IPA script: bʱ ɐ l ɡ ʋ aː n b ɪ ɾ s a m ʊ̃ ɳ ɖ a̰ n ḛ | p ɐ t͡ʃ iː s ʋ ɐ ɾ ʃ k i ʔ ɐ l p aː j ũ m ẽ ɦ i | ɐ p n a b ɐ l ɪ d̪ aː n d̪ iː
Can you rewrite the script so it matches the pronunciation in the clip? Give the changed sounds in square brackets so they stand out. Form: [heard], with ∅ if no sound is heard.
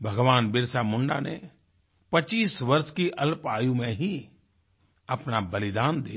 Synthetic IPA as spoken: bʱ ɐ [∅] ɡ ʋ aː n b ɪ ɾ s a m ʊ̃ ɳ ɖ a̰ n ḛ | p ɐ t͡ʃ iː s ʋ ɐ ɾ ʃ k i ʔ ɐ l p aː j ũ m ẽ ɦ i | ɐ p n a b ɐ l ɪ d̪ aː n d̪ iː